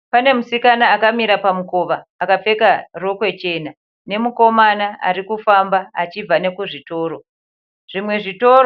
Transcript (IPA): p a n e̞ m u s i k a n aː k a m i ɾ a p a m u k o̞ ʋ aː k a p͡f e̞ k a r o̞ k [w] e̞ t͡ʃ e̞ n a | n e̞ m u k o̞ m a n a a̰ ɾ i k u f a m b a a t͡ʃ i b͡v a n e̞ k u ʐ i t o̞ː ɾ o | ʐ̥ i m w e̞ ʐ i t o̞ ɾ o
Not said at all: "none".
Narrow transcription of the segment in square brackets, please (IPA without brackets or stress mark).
w